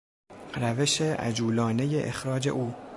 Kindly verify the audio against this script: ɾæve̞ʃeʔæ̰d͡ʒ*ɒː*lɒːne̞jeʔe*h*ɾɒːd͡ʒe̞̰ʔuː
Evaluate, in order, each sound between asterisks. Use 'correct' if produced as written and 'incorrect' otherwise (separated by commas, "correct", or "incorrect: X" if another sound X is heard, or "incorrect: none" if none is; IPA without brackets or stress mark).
incorrect: uː, incorrect: x